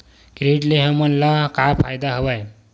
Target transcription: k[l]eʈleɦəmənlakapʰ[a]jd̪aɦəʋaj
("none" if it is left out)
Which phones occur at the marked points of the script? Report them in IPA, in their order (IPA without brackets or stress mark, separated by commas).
ɾ, a